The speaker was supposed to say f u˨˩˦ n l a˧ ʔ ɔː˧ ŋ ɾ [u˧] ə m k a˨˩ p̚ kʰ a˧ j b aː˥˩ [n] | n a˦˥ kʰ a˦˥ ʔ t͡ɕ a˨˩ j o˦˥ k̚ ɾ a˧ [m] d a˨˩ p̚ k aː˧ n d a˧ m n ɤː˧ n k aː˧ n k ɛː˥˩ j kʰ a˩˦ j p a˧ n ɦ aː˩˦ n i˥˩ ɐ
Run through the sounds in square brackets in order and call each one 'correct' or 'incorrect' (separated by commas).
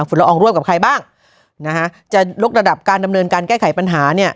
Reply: incorrect, incorrect, incorrect